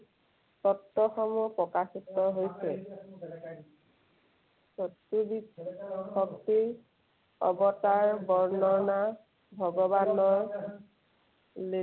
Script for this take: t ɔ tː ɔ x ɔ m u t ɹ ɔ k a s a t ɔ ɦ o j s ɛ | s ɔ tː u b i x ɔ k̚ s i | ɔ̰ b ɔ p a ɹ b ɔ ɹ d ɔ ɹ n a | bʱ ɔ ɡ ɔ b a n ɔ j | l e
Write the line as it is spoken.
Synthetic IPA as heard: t ɔ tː ɔ x ɔ m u p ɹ ɔ k a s i t ɔ ɦ o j s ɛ | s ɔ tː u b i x ɔ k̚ t i | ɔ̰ b ɔ t a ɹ b ɔ ɹ n ɔ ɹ n a | bʱ ɔ ɡ ɔ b a n ɔ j | l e